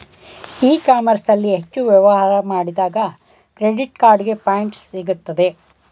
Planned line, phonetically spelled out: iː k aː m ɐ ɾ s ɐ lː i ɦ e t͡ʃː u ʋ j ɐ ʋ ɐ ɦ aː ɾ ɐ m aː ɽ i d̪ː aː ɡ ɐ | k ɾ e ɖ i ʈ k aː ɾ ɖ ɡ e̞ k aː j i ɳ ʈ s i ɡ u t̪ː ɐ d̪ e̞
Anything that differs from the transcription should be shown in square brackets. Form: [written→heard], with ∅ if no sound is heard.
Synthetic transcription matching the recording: iː k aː m ɐ ɾ s ɐ lː i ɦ e t͡ʃː u ʋ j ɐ ʋ ɐ ɦ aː ɾ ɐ m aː ɽ i [d̪ː→d̪] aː ɡ ɐ | k ɾ e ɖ i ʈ k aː ɾ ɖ ɡ e̞ [k→p] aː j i ɳ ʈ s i ɡ u t̪ː ɐ d̪ e̞